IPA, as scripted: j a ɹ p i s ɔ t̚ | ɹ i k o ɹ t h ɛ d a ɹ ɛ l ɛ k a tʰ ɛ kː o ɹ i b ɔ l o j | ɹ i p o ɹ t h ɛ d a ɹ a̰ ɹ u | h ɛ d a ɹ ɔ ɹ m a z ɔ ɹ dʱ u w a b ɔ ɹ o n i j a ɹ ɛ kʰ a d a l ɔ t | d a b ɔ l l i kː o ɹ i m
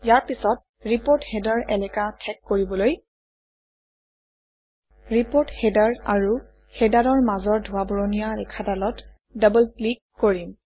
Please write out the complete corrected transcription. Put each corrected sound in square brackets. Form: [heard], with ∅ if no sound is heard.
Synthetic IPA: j a ɹ p i s ɔ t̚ | ɹ i [p] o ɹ t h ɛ d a ɹ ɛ l ɛ k a tʰ ɛ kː o ɹ i b ɔ l o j | ɹ i p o ɹ t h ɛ d a ɹ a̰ ɹ u | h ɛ d a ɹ ɔ ɹ m a z ɔ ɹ dʱ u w a b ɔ ɹ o n i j a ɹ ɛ kʰ a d a l ɔ t | d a b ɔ l l i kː o ɹ i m

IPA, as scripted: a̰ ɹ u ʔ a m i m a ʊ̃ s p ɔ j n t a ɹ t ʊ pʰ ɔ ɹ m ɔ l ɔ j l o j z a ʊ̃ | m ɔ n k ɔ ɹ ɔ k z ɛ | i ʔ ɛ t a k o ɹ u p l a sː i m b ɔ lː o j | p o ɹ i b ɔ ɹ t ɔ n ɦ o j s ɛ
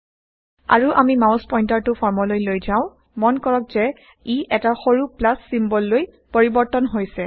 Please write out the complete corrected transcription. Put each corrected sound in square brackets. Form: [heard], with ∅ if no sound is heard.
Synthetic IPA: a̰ ɹ u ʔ a m i m a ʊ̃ s p ɔ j n t a ɹ t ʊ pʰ ɔ ɹ m ɔ l [o] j l o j z a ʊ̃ | m ɔ n k ɔ ɹ ɔ k z ɛ | i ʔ ɛ t a [x] o ɹ u p l a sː i m b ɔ lː o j | p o ɹ i b ɔ ɹ t ɔ n ɦ o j s ɛ

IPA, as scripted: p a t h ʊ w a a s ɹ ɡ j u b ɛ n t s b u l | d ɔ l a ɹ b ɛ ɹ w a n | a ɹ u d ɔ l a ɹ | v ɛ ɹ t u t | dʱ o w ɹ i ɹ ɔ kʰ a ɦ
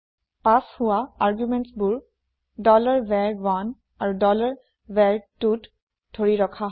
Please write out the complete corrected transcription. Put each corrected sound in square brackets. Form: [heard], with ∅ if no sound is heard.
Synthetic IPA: p a [s] h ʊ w a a [∅] ɹ ɡ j u [m] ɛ n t s b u [ɹ] | d ɔ l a ɹ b ɛ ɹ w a n | a ɹ u d ɔ l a ɹ | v ɛ ɹ t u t | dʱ o [∅] ɹ i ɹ ɔ kʰ a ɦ

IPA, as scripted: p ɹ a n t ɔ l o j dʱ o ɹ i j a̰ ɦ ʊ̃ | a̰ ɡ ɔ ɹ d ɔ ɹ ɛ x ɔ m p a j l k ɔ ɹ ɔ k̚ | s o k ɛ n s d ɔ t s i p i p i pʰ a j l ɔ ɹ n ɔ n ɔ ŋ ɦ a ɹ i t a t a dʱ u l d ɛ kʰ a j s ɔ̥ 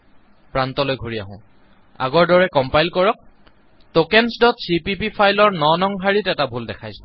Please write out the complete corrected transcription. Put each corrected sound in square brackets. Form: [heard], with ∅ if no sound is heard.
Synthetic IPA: p ɹ a n t ɔ l o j [ɡʱ] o ɹ i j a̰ ɦ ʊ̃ | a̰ ɡ ɔ ɹ d ɔ ɹ ɛ [k] ɔ m p a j l k ɔ ɹ ɔ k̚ | [t] o k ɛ n s d ɔ t s i p i p i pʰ a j l ɔ ɹ n ɔ n ɔ ŋ ɦ a ɹ i t [ɛ] t a [bʱ] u l d ɛ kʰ a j s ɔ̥

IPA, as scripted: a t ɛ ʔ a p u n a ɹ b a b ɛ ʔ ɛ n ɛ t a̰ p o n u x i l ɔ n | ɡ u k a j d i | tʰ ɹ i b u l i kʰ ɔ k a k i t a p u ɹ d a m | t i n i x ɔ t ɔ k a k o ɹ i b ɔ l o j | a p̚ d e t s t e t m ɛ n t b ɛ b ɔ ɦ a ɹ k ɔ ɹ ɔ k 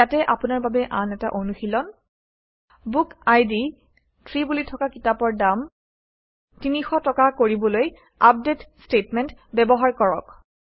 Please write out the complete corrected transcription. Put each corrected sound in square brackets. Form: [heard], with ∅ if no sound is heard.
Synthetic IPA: a t ɛ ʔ a p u n a ɹ b a b ɛ ʔ [a] n ɛ t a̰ [ʔ] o n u x i l ɔ n | [b] u k a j d i | tʰ ɹ i b u l i [tʰ] ɔ k a k i t a p [ɔ] ɹ d a m | t i n i x ɔ t ɔ k a k o ɹ i b ɔ l o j | a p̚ d e t s t e t m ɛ n t b ɛ b ɔ ɦ a ɹ k ɔ ɹ ɔ k

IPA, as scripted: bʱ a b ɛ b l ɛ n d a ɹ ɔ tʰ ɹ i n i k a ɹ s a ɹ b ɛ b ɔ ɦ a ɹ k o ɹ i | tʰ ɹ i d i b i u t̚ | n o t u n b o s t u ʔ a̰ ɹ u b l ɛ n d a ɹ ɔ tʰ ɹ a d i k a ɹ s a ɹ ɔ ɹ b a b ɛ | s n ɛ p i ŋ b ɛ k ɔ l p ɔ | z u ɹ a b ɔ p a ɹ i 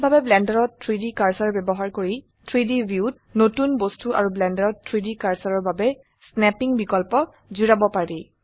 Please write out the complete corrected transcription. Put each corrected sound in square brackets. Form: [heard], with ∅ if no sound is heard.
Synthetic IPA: bʱ a b ɛ b l ɛ n d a ɹ ɔ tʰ ɹ i [d] i k a ɹ s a ɹ b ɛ b ɔ ɦ a ɹ k o ɹ i | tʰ ɹ i d i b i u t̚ | n o t u n b o s t u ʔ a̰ ɹ u b l ɛ n d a ɹ ɔ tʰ ɹ [i] d i k a ɹ s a ɹ ɔ ɹ b a b ɛ | s n ɛ p i ŋ b [i] k ɔ l p ɔ | z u ɹ a b ɔ p a ɹ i

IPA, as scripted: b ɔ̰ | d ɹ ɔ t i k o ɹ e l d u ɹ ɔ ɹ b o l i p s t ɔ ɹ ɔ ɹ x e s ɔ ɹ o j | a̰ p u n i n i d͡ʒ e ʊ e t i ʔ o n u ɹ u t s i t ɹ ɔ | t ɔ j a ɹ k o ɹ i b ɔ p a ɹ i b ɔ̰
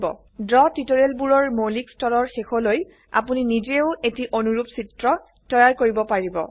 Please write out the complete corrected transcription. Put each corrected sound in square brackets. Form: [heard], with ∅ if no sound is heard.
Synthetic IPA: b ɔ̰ | d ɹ ɔ t i [t] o ɹ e l [b] u ɹ ɔ ɹ [m] o l i [k] s t ɔ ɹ ɔ ɹ x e [x] ɔ [l] o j | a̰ p u n i n i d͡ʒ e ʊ e t i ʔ o n u ɹ u [p] s i t ɹ ɔ | t ɔ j a ɹ k o ɹ i b ɔ p a ɹ i b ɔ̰

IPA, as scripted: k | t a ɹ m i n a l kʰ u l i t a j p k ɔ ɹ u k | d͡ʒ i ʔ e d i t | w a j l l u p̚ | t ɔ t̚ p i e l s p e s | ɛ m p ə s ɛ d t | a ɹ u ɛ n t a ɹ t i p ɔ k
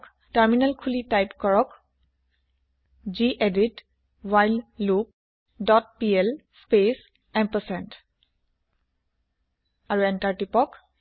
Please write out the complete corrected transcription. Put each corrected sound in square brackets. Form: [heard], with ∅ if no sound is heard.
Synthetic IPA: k | t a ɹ m i n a l kʰ u l i t a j p k ɔ ɹ [ɔ] k | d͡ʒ i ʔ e d i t | w a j l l u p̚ | [d] ɔ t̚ p i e l s p e s | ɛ m p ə s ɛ [n] t | a ɹ u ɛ n t a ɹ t i p ɔ k

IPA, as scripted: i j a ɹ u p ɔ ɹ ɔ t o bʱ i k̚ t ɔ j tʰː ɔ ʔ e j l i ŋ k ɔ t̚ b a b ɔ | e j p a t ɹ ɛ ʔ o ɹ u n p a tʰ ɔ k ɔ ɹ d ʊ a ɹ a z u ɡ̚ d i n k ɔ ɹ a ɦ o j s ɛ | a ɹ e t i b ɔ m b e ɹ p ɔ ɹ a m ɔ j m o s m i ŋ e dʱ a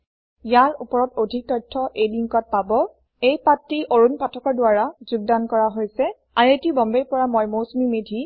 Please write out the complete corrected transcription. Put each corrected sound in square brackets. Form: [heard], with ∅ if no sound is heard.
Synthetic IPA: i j a ɹ u p ɔ ɹ ɔ t o [dʱ] i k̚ t ɔ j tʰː ɔ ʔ e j l i ŋ k ɔ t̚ [p] a b ɔ | e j p a t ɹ [i] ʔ o ɹ u n p a tʰ ɔ k ɔ ɹ d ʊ a ɹ a z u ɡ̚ d [a] n k ɔ ɹ a ɦ o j s ɛ | a ɹ e t i b ɔ m b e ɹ p ɔ ɹ a m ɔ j m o s m i [m] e dʱ [i]

